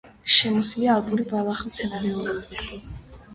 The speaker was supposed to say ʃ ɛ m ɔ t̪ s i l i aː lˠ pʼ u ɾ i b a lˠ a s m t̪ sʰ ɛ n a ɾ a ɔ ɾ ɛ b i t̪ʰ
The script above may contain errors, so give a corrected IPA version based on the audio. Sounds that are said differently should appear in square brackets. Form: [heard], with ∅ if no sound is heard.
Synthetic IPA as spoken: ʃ ɛ m ɔ [∅] s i l i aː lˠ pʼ u ɾ i b a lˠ a [χ] m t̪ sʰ ɛ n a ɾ [ɛ] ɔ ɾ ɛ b i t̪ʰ